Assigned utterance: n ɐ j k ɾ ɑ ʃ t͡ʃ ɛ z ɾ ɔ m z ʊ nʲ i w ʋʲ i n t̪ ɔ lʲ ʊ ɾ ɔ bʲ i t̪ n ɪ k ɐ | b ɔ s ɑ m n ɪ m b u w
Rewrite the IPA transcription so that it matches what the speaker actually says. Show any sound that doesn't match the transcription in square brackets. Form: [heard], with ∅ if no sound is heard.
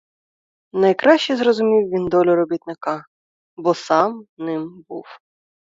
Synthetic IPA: n ɐ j k ɾ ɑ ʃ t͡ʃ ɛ z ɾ ɔ [∅] z ʊ [mʲ] i w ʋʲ i n [d̪] ɔ lʲ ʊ ɾ ɔ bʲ i t̪ n ɪ k [ɑ] | b ɔ s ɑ m n ɪ m b u w